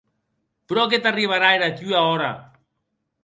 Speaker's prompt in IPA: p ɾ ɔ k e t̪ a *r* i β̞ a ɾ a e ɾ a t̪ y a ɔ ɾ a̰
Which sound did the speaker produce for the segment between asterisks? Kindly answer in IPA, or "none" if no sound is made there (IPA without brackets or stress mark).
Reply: r